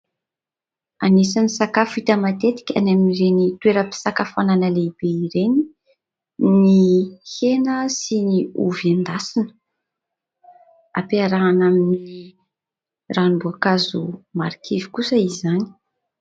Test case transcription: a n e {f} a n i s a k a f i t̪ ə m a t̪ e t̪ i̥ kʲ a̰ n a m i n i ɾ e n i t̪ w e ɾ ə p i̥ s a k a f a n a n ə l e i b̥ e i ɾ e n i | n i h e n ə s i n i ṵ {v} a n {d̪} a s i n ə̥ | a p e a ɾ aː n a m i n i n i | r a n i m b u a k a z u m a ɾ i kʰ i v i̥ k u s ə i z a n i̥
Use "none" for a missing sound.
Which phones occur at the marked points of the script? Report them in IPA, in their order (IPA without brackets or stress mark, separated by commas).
s, v, d̪